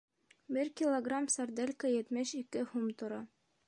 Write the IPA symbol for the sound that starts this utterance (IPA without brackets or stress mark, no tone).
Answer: b